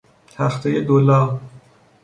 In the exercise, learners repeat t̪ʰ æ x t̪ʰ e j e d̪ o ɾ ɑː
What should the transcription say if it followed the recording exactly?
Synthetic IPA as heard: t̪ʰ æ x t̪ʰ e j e d̪ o l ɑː